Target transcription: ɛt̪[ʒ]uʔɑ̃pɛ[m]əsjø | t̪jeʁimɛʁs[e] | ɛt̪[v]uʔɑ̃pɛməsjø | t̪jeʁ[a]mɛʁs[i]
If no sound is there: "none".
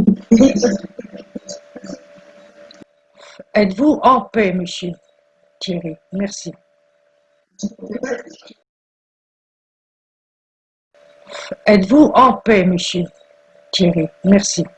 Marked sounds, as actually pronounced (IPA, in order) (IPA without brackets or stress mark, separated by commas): v, m, i, v, i, i